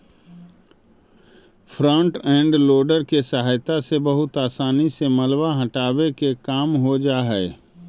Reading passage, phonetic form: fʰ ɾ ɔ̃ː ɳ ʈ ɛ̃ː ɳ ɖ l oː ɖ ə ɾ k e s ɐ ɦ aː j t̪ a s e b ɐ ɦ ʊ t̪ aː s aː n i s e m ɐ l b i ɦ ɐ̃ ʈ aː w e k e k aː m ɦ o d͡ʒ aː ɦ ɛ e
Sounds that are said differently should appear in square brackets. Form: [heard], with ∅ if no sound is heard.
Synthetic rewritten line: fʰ ɾ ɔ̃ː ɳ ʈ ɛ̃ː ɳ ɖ l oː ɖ ə ɾ k e s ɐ ɦ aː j t̪ a s e b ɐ ɦ ʊ t̪ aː s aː n i s e m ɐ l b [a] ɦ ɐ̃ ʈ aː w e k e k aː m ɦ o d͡ʒ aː ɦ ɛ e